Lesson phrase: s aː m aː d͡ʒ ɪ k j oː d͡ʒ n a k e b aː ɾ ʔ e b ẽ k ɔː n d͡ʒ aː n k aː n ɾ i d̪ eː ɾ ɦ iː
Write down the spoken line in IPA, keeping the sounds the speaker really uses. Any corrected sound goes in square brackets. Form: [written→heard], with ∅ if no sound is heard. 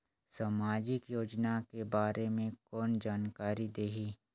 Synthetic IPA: s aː m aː d͡ʒ ɪ k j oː d͡ʒ n a k e b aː ɾ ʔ e [b→m] ẽ k ɔː n d͡ʒ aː n k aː [n→∅] ɾ i d̪ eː [ɾ→∅] ɦ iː